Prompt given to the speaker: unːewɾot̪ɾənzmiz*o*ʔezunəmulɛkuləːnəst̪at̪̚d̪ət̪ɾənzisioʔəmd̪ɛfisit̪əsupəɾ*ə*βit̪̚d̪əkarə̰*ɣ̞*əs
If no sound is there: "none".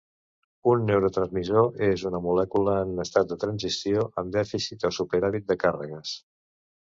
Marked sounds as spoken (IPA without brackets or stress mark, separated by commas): o, a, ɣ̞